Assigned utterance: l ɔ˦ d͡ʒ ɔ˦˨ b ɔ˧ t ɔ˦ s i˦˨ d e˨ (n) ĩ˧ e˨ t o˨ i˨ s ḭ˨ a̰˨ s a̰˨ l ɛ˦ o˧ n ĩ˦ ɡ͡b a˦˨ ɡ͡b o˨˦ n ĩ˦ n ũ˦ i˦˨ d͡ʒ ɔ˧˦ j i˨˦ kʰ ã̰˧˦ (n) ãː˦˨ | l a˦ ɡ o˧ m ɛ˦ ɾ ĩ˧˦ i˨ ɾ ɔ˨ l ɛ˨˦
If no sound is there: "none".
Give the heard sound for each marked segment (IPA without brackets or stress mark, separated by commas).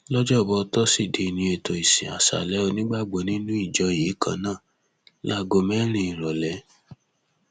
n, n